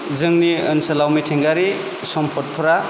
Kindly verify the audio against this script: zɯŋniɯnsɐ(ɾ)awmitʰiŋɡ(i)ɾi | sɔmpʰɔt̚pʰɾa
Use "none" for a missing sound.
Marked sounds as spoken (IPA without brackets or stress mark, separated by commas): l, a